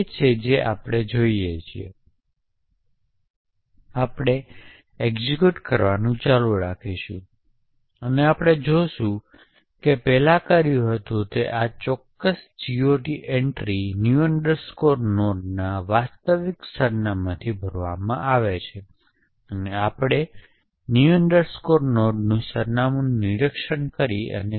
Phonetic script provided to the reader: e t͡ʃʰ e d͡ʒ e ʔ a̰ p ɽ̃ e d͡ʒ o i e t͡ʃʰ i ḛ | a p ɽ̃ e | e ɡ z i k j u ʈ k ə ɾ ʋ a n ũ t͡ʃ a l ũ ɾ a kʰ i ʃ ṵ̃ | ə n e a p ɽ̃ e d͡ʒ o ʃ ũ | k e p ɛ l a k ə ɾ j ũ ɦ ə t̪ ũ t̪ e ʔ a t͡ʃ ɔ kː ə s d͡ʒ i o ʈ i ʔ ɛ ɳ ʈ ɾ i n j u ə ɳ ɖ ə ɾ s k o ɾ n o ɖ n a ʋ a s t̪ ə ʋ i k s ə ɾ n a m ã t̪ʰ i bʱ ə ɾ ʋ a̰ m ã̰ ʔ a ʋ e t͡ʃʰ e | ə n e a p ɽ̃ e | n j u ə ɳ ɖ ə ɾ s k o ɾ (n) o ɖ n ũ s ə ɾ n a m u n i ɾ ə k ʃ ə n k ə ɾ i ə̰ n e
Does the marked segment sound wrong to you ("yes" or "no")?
no